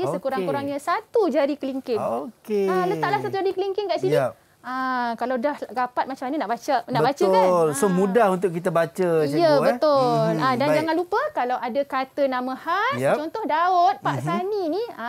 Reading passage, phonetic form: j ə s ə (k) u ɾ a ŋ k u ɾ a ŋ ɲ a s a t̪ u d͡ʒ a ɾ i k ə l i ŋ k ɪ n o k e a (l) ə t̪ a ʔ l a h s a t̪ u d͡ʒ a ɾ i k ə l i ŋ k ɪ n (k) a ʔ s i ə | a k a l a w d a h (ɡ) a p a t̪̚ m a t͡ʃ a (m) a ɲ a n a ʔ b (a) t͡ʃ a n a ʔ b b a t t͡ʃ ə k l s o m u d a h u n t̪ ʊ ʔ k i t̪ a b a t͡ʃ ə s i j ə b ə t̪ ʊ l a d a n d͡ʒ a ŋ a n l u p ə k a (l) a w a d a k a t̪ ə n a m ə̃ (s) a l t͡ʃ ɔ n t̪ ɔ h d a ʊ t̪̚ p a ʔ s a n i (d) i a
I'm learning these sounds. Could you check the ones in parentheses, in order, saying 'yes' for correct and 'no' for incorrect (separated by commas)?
yes, yes, yes, yes, yes, yes, yes, no, no